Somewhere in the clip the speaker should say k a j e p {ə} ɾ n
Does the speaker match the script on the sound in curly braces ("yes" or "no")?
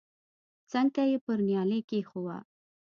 yes